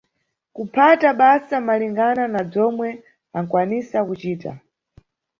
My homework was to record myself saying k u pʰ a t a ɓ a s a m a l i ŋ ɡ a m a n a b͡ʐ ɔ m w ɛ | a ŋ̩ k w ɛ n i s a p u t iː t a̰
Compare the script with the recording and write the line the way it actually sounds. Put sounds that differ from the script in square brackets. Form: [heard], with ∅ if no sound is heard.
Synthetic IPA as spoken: k u pʰ a t a ɓ a s a m a l i ŋ ɡ a [n] a n a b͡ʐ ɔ m w ɛ | a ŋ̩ k w [a] n i s a [k] u [t͡ʃ] iː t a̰